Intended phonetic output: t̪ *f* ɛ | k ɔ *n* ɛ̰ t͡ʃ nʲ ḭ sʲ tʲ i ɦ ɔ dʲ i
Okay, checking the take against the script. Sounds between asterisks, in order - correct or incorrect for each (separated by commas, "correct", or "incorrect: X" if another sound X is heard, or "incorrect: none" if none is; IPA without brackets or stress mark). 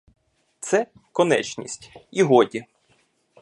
incorrect: s, correct